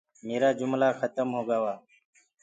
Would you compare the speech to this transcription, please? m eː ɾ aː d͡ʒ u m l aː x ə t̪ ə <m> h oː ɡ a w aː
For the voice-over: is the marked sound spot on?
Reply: yes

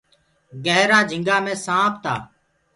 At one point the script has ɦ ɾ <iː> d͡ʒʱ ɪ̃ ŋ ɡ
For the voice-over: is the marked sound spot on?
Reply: no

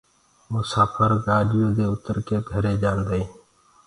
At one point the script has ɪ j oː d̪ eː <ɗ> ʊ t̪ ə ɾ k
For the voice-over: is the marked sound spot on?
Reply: no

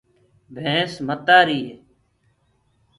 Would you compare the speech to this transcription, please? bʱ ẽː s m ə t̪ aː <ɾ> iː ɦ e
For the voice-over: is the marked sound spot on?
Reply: yes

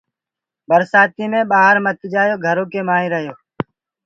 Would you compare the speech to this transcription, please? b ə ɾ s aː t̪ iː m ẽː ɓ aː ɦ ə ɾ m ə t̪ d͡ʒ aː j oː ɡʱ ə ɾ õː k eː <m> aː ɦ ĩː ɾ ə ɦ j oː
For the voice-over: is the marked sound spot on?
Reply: yes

